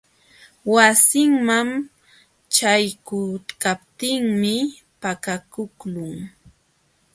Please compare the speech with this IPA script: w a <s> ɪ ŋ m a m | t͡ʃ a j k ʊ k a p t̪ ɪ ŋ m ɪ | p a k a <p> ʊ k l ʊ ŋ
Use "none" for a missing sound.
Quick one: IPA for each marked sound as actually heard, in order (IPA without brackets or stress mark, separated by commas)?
s, k